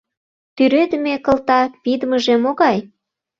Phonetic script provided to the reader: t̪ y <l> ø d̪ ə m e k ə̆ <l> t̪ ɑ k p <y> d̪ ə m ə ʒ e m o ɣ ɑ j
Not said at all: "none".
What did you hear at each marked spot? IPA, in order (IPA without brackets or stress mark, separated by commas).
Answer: ɾ, l, i